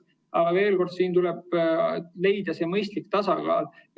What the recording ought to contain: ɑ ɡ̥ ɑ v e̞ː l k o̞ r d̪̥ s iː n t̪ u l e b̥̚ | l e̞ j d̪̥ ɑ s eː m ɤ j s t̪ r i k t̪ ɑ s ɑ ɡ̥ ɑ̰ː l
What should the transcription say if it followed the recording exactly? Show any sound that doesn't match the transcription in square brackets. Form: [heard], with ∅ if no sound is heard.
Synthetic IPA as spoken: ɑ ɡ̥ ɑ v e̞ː l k o̞ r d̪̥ s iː n t̪ u l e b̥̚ | l e̞ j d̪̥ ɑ s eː m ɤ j s t̪ [l] i k t̪ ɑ s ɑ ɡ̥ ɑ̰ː l